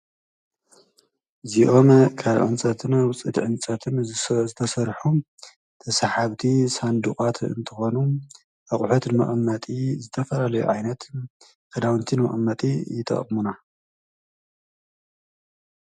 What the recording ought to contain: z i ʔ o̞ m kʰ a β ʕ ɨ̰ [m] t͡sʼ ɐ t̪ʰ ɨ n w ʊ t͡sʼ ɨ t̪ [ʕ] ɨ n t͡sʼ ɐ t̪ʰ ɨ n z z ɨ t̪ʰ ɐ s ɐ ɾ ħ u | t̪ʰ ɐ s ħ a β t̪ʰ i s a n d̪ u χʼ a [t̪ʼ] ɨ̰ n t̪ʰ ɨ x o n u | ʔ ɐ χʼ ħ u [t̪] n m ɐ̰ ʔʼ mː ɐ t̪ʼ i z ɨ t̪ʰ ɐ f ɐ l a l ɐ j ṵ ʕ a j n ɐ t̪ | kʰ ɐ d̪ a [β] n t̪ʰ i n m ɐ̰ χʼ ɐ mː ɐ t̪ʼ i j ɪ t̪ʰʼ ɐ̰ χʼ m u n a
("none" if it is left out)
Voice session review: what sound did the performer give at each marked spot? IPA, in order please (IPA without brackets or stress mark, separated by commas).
n, ʕ, t̪, t̪, w